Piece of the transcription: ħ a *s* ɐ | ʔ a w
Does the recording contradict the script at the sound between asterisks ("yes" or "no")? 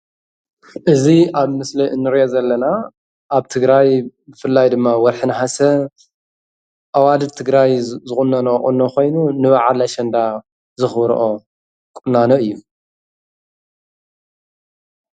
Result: no